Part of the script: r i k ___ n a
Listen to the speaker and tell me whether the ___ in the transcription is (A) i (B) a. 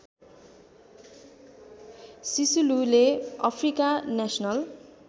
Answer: B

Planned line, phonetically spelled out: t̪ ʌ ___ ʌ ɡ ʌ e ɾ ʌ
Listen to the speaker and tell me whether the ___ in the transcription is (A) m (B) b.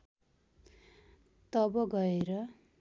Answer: B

